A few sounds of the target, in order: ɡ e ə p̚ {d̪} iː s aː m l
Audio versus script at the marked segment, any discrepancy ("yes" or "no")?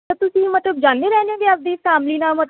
no